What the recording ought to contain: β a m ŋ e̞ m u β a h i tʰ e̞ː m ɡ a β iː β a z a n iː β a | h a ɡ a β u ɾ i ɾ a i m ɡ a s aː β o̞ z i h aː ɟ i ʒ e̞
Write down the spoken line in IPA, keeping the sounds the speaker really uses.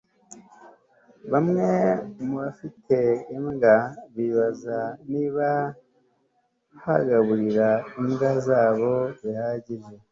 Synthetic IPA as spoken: β a m ŋ e̞ m u β a f i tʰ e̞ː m ɡ a β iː β a z a n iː β a | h a ɡ a β u ɾ i ɾ a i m ɡ a z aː β o̞ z i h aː ɟ i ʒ e̞